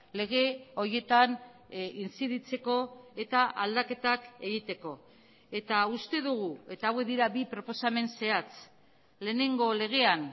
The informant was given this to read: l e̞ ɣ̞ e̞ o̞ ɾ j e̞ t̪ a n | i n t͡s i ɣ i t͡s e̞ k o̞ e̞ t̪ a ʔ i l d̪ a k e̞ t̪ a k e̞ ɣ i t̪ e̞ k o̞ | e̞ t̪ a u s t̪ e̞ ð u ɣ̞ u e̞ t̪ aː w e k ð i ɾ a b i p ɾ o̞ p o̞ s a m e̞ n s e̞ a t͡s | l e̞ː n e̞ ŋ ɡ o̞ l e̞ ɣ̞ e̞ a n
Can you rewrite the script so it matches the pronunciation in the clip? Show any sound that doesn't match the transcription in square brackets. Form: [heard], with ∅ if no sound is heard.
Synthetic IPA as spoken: l e̞ ɣ̞ e̞ o̞ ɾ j e̞ t̪ a n | i n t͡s i [ð] i t͡s e̞ k o̞ e̞ t̪ a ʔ [a] l d̪ a k e̞ t̪ a k e̞ ɣ i t̪ e̞ k o̞ | e̞ t̪ a u s t̪ e̞ ð u ɣ̞ u e̞ t̪ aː w e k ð i ɾ a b i p ɾ o̞ p o̞ s a m e̞ n s e̞ a t͡s | l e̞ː n e̞ ŋ ɡ o̞ l e̞ ɣ̞ e̞ a n

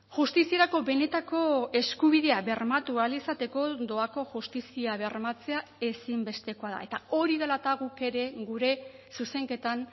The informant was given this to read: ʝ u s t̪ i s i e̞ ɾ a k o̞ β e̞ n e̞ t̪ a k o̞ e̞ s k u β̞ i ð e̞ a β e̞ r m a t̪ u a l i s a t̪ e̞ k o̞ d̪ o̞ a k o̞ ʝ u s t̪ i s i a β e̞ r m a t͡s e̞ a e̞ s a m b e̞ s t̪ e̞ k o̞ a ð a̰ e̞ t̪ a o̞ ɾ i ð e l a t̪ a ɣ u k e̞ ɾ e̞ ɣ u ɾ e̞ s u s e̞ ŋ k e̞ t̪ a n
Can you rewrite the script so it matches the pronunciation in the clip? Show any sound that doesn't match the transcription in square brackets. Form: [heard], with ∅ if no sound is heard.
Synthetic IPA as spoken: ʝ u s t̪ i s i e̞ ɾ a k o̞ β e̞ n e̞ t̪ a k o̞ e̞ s k u β̞ i ð e̞ a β e̞ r m a t̪ u a l i s a t̪ e̞ k o̞ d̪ o̞ a k o̞ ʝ u s t̪ i s i a β e̞ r m a t͡s e̞ a e̞ s [i] m b e̞ s t̪ e̞ k o̞ a ð a̰ e̞ t̪ a o̞ ɾ i ð e l a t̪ a ɣ u k e̞ ɾ e̞ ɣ u ɾ e̞ s u s e̞ ŋ k e̞ t̪ a n

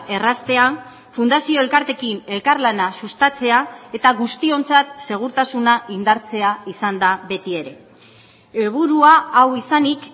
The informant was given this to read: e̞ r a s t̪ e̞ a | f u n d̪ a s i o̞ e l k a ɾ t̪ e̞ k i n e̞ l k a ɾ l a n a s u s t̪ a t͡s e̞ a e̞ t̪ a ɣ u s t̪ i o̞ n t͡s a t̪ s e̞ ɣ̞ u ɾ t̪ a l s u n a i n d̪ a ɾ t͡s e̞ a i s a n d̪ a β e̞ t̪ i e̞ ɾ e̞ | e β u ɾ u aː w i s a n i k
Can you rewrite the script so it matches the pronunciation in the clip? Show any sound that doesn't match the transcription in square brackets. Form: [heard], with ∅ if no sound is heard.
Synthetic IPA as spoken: e̞ r a s t̪ e̞ a | f u n d̪ a s i o̞ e l k a ɾ t̪ e̞ k i n e̞ l k a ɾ l a n a s u s t̪ a t͡s e̞ a e̞ t̪ a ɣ u s t̪ i o̞ n t͡s a t̪ s e̞ ɣ̞ u ɾ t̪ a [∅] s u n a i n d̪ a ɾ t͡s e̞ a i s a n d̪ a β e̞ t̪ i e̞ ɾ e̞ | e β u ɾ u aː w i s a n i k

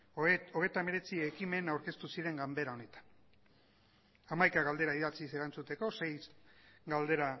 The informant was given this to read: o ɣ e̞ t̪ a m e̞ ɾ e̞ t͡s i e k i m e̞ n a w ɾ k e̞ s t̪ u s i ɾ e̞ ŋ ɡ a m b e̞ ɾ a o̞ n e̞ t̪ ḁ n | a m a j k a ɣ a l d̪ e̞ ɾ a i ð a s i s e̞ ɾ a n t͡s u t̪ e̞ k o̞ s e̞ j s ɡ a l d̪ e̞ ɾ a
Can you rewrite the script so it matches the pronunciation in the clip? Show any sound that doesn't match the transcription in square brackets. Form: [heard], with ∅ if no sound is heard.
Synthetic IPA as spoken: o ɣ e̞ t̪ a m e̞ ɾ e̞ t͡s i e k i m e̞ n a w ɾ k e̞ s t̪ u s i ɾ e̞ ŋ ɡ a m b e̞ ɾ a o̞ n e̞ t̪ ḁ n | a m a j k a ɣ a l d̪ e̞ ɾ a i ð a [t͡s] i s e̞ ɾ a n t͡s u t̪ e̞ k o̞ s e̞ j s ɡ a l d̪ e̞ ɾ a

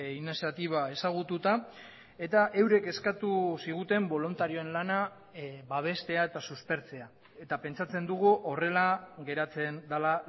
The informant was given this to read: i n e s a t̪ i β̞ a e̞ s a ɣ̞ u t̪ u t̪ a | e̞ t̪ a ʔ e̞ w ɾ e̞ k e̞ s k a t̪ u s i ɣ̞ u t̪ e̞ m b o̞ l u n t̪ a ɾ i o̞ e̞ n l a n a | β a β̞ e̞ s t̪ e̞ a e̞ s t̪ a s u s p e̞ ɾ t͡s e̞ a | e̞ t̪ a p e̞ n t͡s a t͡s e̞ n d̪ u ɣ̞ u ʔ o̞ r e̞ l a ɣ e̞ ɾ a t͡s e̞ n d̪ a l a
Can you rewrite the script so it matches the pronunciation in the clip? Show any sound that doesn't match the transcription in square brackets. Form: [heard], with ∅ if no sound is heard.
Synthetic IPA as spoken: i n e s a t̪ i β̞ a e̞ s a ɣ̞ u t̪ u t̪ a | e̞ t̪ a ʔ e̞ w ɾ e̞ k e̞ s k a t̪ u s i ɣ̞ u t̪ e̞ m b o̞ l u n t̪ a ɾ i o̞ e̞ n l a n a | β a β̞ e̞ s t̪ e̞ a e̞ [∅] t̪ a s u s p e̞ ɾ t͡s e̞ a | e̞ t̪ a p e̞ n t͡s a t͡s e̞ n d̪ u ɣ̞ u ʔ o̞ r e̞ l a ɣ e̞ ɾ a t͡s e̞ n d̪ a l a

